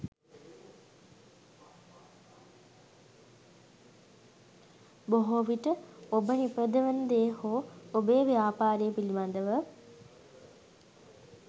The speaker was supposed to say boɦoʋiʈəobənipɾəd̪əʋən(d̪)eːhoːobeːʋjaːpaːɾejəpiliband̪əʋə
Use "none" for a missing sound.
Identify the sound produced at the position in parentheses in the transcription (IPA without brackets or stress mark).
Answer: d̪